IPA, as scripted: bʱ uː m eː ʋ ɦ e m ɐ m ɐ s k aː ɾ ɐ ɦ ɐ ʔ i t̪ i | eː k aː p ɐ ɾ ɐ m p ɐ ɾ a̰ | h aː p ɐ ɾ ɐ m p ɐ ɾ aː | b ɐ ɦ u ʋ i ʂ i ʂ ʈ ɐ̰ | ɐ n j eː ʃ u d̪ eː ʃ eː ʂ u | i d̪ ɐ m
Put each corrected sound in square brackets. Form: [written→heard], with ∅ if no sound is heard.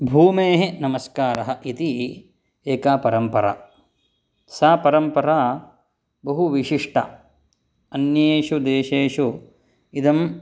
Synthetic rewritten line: bʱ uː m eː [ʋ→∅] ɦ e [m→n] ɐ m ɐ s k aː ɾ ɐ ɦ ɐ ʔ i t̪ i | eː k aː p ɐ ɾ ɐ m p ɐ ɾ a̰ | [h→s] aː p ɐ ɾ ɐ m p ɐ ɾ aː | b ɐ ɦ u ʋ i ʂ i ʂ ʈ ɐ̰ | ɐ n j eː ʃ u d̪ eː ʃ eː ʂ u | i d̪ ɐ m